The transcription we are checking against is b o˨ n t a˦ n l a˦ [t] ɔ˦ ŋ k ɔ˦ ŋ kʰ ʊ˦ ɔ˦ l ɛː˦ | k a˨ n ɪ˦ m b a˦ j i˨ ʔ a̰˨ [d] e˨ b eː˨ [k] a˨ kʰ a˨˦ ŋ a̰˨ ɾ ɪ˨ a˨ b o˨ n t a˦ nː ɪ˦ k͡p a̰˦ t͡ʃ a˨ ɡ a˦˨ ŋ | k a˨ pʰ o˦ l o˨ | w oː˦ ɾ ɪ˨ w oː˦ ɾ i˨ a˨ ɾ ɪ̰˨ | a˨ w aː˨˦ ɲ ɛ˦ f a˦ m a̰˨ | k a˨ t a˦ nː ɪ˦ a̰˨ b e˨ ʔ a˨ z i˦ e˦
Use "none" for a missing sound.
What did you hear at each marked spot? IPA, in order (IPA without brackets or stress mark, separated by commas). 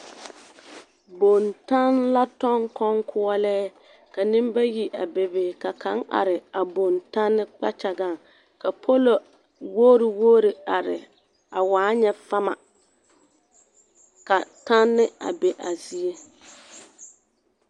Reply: t, b, k